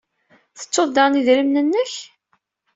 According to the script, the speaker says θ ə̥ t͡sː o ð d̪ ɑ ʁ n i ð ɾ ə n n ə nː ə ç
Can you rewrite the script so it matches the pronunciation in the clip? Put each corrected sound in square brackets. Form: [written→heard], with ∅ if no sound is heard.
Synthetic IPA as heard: θ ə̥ t͡sː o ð d̪ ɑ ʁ n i ð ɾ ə [n→m] n ə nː ə ç